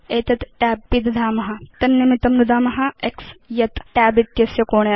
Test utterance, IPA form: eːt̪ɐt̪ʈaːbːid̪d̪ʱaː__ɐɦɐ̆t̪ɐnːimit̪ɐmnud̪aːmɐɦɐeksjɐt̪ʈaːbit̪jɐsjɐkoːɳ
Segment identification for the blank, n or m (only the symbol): m